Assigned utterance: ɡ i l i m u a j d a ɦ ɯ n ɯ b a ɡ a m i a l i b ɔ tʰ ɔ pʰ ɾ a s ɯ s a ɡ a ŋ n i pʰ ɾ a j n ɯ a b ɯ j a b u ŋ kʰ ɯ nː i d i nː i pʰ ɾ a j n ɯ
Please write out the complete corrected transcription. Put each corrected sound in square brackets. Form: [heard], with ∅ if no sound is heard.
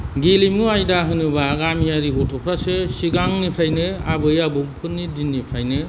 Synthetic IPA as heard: ɡ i l i m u a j d a ɦ ɯ n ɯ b a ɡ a m i a [ɾ] i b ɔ tʰ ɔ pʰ ɾ a s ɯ s [i] ɡ a ŋ n i pʰ ɾ a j n ɯ a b ɯ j a b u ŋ [pʰ] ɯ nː i d i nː i pʰ ɾ a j n ɯ

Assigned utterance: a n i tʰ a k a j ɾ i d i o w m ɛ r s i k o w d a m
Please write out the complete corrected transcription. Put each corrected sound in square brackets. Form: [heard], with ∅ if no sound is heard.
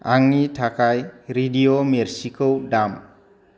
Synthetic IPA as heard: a [ŋ] i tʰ a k a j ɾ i d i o [∅] m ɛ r s i k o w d a m

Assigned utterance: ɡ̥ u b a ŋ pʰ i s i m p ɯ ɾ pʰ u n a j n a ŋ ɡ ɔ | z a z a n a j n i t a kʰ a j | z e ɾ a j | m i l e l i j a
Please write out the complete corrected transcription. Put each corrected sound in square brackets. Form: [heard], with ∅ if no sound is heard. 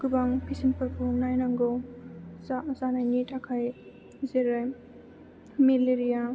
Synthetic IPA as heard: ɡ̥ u b a ŋ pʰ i s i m p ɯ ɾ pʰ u n a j n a ŋ ɡ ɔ | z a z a n a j n i t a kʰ a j | z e ɾ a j | m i l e [ɾ] i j a

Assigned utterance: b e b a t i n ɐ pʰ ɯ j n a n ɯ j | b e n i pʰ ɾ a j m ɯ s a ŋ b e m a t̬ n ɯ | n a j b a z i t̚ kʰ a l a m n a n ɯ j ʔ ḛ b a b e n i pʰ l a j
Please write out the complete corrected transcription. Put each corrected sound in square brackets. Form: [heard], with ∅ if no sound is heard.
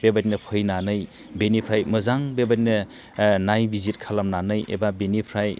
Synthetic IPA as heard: b e b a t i n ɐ pʰ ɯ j n a n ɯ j | b e n i pʰ ɾ a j m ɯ [z] a ŋ b e [b] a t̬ n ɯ | n a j b [i] z i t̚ kʰ a l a m n a n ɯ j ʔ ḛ b a b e n i pʰ [ɾ] a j

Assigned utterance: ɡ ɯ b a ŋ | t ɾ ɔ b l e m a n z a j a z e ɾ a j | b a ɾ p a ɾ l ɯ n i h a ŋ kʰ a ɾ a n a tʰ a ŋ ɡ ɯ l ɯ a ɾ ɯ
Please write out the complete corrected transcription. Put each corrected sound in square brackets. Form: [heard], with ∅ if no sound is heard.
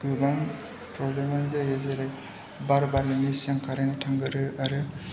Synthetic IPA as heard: ɡ ɯ b a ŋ | [p] ɾ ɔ b l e m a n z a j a z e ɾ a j | b a ɾ [b] a ɾ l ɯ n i [s] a ŋ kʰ a ɾ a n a tʰ a ŋ ɡ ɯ [ɾ] ɯ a ɾ ɯ

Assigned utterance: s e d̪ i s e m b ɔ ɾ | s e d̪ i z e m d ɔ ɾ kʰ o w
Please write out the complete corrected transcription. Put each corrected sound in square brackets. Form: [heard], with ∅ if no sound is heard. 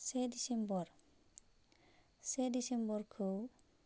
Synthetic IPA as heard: s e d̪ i s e m b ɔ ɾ | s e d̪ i [s] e m [b] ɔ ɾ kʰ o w

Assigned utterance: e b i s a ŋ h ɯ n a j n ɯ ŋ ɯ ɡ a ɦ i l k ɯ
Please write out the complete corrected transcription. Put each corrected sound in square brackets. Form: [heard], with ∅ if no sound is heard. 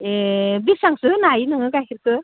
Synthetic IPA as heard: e b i s a ŋ [s] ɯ n a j n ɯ ŋ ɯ ɡ a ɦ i [ɾ] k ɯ

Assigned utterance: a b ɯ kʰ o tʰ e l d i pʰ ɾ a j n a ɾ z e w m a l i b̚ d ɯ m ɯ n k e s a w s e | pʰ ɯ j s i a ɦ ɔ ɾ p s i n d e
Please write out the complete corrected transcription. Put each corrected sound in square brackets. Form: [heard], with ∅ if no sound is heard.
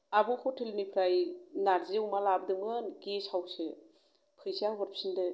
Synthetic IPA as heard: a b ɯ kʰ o tʰ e l [n] i pʰ ɾ a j n a ɾ z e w m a l [a] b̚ d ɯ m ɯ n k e s a w s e | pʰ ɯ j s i a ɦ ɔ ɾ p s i n d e

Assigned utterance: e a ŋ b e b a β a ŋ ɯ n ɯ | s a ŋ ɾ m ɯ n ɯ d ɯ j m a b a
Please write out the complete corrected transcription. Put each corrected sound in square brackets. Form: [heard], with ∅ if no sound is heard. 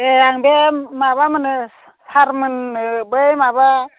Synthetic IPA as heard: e a ŋ b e [m] a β a [m] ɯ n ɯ | s a [∅] ɾ m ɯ n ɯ [b] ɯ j m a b a

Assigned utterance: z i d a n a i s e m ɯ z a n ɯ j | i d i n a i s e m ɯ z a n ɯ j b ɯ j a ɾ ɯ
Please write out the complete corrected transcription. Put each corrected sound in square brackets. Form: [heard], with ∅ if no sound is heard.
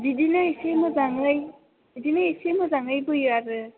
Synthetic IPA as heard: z i d [i] n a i s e m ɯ z a [ŋ] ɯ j | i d i n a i s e m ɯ z a [ŋ] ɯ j b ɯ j a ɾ ɯ

